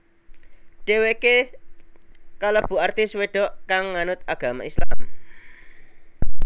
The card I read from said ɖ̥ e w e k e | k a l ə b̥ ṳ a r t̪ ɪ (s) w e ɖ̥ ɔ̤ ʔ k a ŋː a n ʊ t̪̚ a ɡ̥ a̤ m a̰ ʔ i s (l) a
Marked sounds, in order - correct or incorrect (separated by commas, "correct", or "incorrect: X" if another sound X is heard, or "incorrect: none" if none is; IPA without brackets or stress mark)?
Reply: correct, correct